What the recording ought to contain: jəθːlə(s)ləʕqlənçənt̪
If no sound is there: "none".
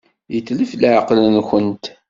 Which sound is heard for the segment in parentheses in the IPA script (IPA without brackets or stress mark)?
f